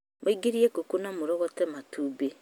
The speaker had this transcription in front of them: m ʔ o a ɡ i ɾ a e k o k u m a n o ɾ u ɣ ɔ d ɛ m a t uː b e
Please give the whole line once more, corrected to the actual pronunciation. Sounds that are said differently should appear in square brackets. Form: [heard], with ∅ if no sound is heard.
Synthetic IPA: m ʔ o [i] ɡ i ɾ [i] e k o k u [n] a [m] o ɾ [ɔ] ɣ ɔ [t] ɛ m a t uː b e